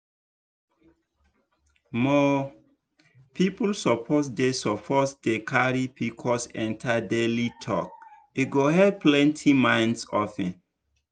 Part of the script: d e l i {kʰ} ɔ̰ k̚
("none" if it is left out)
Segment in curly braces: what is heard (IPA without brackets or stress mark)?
tʰ